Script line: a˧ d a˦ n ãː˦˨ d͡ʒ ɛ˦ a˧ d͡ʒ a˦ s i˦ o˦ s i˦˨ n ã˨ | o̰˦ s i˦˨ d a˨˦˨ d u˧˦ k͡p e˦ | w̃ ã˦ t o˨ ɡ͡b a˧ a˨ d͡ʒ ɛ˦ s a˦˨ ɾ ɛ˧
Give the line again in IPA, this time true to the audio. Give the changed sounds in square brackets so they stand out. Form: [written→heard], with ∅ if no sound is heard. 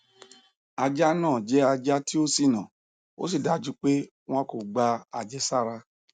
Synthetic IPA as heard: a˧ [d→d͡ʒ] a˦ n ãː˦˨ d͡ʒ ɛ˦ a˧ d͡ʒ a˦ [s→t] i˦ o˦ s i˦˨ n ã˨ | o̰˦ s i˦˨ d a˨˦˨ [d→d͡ʒ] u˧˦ k͡p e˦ | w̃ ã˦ [t→k] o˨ ɡ͡b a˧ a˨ d͡ʒ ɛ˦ s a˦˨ ɾ [ɛ˧→a˧]